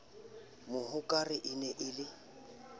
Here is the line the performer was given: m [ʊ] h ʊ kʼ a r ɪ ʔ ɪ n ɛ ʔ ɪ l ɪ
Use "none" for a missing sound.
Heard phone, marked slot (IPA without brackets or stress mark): ʊ